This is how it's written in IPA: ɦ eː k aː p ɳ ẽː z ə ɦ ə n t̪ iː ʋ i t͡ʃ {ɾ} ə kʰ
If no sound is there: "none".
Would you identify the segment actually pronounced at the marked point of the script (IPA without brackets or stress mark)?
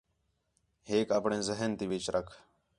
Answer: ɾ